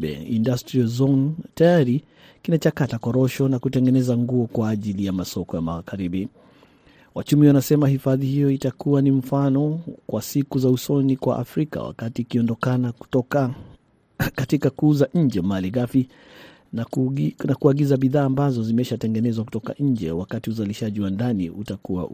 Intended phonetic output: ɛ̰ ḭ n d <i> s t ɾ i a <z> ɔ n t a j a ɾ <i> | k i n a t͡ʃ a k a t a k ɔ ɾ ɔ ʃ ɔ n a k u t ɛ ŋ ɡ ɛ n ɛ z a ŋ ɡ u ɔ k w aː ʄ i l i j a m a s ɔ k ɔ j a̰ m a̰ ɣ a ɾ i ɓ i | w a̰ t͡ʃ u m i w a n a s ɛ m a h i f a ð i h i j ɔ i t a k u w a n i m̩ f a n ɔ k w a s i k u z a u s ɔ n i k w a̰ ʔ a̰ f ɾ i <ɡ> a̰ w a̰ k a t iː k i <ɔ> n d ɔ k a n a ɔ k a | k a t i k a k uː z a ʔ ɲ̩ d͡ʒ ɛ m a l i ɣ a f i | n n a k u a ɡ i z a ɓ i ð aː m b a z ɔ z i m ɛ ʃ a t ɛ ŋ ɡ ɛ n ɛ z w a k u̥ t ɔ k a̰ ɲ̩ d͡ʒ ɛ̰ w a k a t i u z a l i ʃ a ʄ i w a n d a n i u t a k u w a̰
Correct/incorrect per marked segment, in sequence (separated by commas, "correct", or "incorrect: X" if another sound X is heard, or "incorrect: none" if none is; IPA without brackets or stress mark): incorrect: a, correct, correct, incorrect: k, correct